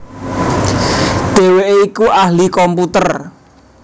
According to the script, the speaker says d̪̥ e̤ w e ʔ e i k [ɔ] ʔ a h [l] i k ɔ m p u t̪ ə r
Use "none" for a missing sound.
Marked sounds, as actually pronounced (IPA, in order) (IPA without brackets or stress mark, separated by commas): u, l